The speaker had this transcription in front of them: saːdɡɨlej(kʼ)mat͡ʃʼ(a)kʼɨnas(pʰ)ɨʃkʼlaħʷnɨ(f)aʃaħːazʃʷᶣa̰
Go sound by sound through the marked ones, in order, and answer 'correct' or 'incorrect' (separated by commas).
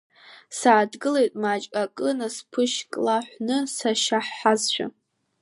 incorrect, correct, correct, incorrect